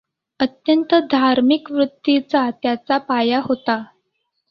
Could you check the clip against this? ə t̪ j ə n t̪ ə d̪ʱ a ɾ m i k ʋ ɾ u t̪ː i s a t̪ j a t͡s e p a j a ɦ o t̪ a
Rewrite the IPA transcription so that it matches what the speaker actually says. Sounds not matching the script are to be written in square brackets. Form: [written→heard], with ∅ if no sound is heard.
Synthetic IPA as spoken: ə t̪ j ə n t̪ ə d̪ʱ a ɾ m i k ʋ ɾ u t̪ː i [s→t͡s] a t̪ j a t͡s [e→a] p a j a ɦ o t̪ a